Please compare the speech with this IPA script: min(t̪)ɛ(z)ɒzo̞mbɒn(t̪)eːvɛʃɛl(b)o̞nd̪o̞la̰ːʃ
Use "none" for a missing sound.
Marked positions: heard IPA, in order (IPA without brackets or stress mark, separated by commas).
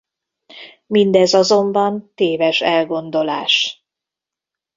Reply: d̪, z, t̪, ɡ